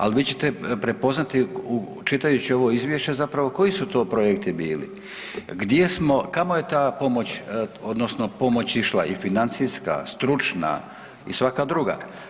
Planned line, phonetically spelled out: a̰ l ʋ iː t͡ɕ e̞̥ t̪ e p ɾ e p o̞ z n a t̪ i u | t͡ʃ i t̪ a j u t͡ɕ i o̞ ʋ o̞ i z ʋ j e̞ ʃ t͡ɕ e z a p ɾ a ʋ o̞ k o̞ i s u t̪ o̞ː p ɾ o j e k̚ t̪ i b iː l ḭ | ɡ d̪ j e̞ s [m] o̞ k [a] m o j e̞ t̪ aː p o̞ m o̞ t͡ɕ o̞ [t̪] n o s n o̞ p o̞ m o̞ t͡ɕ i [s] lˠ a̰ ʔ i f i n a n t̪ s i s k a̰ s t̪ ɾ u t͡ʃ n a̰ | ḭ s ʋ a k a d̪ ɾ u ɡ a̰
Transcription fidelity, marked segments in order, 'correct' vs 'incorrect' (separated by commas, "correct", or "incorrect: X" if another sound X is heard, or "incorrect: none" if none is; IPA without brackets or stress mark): correct, correct, incorrect: d̪, incorrect: ʃ